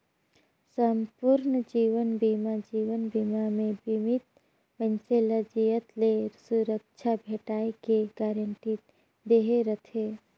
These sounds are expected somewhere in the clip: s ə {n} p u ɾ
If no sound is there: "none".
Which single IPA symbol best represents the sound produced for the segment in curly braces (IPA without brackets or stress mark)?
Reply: m